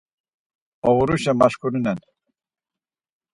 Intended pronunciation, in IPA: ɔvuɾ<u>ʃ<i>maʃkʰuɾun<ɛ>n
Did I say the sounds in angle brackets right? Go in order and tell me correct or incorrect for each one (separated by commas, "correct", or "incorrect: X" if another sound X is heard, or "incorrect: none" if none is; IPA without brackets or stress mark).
correct, incorrect: ɛ, correct